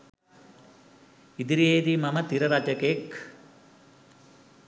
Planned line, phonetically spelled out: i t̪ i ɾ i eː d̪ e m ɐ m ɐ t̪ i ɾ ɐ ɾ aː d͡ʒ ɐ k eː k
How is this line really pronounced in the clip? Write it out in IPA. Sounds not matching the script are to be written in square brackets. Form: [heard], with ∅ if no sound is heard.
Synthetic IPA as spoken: i [d̪] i ɾ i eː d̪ [i] m ɐ m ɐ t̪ i ɾ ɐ ɾ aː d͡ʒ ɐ k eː k